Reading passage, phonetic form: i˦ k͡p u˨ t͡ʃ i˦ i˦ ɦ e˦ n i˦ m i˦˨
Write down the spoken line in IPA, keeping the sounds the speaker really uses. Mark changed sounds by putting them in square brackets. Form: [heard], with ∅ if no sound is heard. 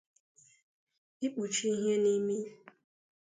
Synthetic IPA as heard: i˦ k͡p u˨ t͡ʃ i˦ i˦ ɦ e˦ n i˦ m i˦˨